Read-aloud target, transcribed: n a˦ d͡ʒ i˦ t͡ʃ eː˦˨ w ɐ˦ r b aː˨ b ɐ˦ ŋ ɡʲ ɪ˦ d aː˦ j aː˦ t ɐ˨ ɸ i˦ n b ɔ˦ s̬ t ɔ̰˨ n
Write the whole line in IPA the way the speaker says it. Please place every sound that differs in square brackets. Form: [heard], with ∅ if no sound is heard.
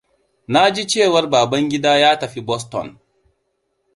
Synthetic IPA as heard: n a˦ d͡ʒ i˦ t͡ʃ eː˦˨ w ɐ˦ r b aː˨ b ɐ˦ ŋ ɡʲ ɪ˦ d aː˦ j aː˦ t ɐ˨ ɸ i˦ [∅] b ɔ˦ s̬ t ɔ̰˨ n